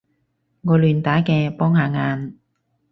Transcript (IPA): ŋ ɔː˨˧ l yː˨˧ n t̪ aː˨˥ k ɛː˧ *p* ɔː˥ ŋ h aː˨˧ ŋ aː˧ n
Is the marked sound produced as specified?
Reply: yes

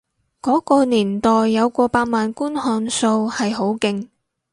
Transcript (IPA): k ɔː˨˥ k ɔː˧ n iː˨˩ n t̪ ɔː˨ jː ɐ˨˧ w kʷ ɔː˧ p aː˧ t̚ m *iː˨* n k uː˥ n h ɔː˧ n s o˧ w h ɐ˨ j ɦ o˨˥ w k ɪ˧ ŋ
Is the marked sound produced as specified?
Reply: no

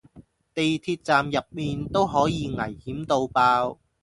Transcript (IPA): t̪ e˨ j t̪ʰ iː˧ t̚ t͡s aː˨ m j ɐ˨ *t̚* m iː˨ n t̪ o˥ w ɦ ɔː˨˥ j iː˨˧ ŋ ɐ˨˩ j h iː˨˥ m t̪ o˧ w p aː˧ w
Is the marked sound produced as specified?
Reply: no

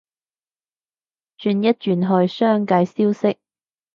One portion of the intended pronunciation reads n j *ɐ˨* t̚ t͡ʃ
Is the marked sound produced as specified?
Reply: no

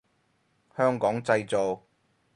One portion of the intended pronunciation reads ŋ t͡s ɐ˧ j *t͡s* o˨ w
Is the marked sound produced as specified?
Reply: yes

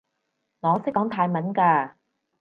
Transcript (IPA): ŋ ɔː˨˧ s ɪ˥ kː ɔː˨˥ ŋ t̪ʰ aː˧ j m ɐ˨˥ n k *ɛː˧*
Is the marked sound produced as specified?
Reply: no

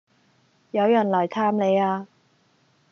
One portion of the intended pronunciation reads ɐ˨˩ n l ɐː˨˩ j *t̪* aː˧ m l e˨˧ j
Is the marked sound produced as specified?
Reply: no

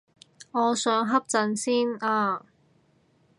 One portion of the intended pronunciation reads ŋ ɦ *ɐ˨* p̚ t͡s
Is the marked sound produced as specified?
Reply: no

